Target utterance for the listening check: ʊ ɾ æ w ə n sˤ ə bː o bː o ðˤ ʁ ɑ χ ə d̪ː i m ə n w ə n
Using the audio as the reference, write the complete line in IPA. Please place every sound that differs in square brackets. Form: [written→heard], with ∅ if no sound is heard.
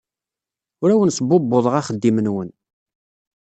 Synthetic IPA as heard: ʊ ɾ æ w ə n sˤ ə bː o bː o ðˤ ʁ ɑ χ ə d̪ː i m ə n w ə n